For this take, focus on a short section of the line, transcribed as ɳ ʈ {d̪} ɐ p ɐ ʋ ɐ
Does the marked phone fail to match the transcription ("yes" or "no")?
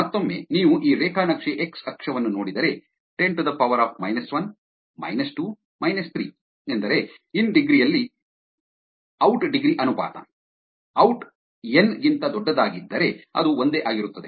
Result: no